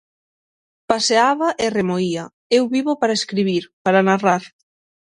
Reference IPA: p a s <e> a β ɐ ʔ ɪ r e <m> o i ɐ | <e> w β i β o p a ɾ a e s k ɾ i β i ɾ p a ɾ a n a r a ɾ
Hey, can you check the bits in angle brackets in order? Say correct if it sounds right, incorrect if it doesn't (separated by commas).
correct, correct, correct